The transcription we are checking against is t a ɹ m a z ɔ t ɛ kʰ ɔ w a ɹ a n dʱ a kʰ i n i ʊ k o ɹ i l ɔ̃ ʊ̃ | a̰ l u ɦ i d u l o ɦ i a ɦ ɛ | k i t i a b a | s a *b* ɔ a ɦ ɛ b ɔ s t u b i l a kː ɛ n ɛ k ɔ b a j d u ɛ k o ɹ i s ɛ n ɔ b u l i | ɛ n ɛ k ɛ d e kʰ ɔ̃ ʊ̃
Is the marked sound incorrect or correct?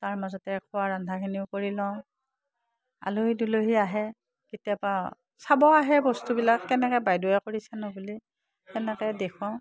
correct